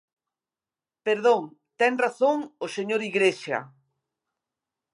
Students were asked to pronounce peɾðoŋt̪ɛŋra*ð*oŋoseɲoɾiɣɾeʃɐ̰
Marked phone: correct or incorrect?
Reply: incorrect